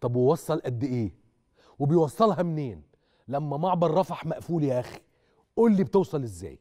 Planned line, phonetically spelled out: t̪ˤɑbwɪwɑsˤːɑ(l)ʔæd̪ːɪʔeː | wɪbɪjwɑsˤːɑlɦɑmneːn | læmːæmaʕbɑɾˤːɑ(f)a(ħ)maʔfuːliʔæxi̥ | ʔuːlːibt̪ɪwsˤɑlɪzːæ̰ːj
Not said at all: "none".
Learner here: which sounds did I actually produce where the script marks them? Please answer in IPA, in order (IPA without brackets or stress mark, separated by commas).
l, f, ħ